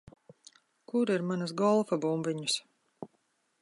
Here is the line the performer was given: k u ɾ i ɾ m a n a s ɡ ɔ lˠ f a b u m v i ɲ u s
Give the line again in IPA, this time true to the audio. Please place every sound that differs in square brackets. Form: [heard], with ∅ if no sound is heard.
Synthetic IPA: k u ɾ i ɾ m a n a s ɡ ɔ lˠ f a b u m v i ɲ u s